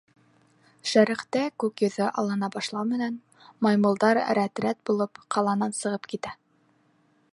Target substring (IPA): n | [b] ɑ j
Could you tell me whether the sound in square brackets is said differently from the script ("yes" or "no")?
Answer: yes